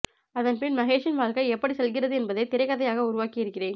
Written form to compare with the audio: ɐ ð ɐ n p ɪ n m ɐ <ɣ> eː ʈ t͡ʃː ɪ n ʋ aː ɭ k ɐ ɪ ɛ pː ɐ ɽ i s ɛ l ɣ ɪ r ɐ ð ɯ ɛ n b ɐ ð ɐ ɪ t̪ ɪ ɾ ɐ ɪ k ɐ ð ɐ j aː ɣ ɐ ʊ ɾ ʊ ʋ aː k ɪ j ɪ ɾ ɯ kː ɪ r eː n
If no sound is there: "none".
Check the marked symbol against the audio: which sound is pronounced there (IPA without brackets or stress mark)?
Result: ɣ